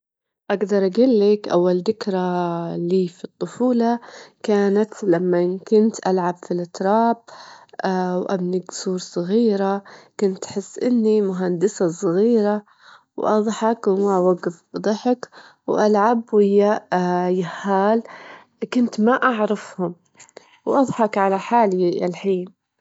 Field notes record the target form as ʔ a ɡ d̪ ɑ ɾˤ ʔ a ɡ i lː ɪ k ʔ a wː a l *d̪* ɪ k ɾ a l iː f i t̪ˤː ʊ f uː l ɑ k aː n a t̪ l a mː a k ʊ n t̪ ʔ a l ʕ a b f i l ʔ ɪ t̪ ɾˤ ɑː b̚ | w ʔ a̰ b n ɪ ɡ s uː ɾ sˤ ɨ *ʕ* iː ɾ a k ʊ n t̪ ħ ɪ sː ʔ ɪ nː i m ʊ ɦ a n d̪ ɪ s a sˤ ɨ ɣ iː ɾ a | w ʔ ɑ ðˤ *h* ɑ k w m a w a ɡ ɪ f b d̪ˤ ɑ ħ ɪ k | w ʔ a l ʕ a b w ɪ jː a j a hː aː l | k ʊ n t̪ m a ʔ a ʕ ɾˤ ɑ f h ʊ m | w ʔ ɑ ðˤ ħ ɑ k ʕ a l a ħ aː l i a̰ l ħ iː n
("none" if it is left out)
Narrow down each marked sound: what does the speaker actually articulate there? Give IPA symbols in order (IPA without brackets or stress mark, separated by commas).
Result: d̪, ɣ, ħ